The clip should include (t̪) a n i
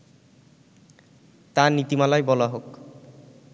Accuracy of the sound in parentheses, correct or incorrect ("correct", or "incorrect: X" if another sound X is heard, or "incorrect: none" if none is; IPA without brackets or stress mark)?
correct